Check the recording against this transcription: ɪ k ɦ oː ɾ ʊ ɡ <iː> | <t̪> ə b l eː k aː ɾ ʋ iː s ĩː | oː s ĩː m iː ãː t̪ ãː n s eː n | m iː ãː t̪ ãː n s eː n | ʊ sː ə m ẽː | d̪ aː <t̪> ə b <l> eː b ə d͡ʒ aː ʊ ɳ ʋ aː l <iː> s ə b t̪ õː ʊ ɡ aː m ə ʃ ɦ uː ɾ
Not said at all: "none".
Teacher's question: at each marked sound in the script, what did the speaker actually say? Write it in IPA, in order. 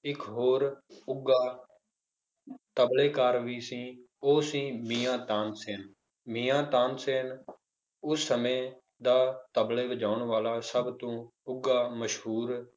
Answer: aː, t̪, t̪, l, aː

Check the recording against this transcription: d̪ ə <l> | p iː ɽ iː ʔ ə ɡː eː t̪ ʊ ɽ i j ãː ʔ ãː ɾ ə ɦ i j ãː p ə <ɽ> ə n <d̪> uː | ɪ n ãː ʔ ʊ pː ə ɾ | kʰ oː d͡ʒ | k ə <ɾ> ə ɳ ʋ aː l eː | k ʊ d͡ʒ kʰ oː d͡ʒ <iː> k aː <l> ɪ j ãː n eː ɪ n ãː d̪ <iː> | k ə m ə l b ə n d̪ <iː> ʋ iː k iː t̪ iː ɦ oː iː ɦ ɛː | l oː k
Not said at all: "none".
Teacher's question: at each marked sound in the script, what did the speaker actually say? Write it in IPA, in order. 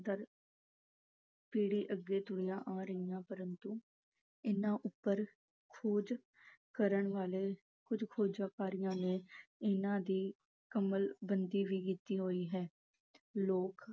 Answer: ɾ, ɾ, t̪, ɾ, aː, ɾ, iː, iː

